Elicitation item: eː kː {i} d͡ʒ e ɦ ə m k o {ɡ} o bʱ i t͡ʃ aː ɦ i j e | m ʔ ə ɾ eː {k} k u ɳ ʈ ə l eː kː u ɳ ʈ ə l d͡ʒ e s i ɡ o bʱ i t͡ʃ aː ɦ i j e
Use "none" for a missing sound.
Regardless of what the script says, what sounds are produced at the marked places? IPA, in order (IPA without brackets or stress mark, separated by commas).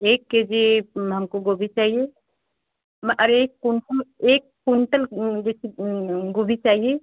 e, ɡ, k